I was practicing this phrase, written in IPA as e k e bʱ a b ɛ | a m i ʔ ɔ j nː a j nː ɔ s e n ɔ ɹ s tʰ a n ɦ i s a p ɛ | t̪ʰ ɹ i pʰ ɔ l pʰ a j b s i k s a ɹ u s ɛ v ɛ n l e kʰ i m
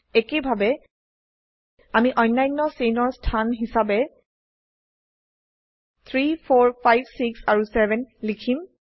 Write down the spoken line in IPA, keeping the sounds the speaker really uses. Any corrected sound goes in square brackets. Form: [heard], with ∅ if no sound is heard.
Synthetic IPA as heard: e k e bʱ a b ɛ | a m i ʔ ɔ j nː a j nː ɔ s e n ɔ ɹ s tʰ a n ɦ i s a [b] ɛ | t̪ʰ ɹ i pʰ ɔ [ɹ] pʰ a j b s i k s a ɹ u s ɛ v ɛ n l [i] kʰ i m